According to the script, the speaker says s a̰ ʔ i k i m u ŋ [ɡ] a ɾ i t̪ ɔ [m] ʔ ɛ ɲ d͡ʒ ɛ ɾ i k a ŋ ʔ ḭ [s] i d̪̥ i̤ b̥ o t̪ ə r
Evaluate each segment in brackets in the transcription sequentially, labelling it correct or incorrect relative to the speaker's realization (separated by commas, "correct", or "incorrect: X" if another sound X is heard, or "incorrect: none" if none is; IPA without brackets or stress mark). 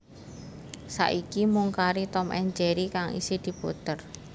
incorrect: k, correct, correct